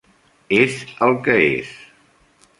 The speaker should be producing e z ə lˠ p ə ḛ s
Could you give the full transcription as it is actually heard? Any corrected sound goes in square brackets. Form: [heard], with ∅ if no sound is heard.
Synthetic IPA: e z ə lˠ [k] ə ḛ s